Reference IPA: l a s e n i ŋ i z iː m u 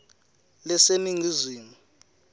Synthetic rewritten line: l ɛ s e n i ŋ i z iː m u